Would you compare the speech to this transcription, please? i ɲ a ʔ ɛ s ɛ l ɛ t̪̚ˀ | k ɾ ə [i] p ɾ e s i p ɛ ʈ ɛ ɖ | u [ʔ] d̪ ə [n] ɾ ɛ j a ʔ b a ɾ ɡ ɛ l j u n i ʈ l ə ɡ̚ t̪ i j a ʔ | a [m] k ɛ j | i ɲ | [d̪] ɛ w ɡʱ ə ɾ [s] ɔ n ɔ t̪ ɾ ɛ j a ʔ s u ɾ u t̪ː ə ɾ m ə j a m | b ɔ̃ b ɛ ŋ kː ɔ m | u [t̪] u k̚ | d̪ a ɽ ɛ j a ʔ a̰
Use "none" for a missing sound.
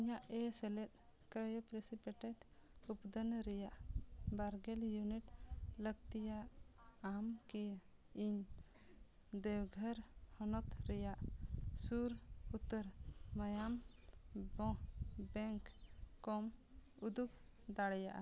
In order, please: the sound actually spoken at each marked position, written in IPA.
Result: j, p, n, m, d̪, h, d̪

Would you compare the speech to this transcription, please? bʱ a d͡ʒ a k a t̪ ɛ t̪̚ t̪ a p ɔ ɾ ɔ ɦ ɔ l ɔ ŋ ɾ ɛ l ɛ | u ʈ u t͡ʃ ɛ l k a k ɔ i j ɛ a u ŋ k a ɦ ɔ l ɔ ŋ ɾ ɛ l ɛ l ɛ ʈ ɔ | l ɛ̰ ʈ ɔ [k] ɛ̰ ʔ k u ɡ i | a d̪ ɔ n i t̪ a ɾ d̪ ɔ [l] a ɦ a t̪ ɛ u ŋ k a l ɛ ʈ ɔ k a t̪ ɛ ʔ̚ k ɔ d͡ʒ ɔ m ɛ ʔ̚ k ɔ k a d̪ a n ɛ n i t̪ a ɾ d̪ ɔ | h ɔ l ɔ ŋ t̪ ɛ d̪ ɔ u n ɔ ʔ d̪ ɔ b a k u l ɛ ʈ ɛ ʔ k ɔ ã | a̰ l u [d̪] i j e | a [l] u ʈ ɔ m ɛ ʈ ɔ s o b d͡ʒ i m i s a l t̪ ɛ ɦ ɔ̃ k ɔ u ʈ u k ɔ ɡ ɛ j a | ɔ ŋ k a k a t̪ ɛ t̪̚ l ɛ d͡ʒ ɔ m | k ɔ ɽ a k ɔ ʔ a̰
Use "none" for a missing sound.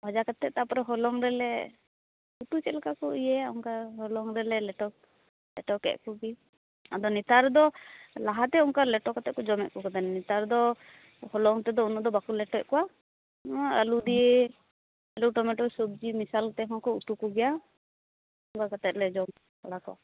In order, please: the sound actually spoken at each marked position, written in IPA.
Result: k, l, d̪, l

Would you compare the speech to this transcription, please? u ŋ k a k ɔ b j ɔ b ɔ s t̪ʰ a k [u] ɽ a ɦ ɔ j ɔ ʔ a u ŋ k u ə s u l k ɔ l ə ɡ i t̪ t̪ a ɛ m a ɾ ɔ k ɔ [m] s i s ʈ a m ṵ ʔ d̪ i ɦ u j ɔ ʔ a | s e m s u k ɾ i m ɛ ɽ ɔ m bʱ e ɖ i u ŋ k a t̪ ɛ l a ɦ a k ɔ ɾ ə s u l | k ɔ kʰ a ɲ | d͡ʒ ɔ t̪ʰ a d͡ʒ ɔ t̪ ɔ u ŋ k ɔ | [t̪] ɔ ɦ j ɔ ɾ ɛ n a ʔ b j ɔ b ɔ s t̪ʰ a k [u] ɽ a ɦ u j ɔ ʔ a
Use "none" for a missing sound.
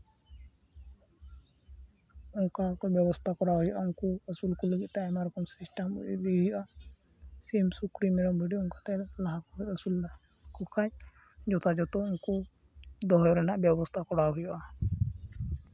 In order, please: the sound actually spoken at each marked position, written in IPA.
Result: ɔ, m, d̪, ɔ

